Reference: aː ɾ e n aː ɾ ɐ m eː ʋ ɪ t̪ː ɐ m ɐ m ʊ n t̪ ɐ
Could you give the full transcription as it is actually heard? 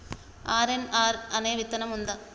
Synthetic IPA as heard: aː ɾ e n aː ɾ ɐ n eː ʋ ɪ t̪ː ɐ n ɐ m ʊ n d̪ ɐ